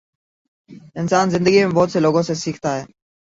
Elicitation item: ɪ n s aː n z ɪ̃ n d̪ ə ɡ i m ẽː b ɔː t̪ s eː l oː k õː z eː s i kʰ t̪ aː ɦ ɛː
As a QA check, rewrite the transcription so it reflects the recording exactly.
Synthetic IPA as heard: ɪ n s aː n z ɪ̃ n d̪ ə ɡ i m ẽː b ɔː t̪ s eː l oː ɡ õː s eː s iː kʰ t̪ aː ɦ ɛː